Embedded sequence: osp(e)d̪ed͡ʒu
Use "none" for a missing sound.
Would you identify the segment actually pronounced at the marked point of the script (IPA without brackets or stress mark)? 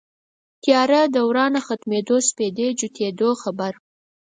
e